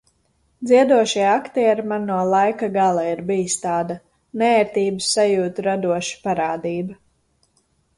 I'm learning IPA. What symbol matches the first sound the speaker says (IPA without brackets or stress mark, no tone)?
d̪